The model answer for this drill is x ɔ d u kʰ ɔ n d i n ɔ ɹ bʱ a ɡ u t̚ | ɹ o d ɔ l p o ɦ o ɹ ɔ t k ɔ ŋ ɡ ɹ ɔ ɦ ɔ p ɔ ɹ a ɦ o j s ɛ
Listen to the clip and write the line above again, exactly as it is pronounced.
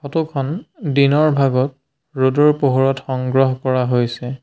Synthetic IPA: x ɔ t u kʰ ɔ n d i n ɔ ɹ bʱ a ɡ ɔ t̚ | ɹ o d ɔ ɹ p o ɦ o ɹ ɔ t x ɔ ŋ ɡ ɹ ɔ ɦ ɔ k ɔ ɹ a ɦ o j s ɛ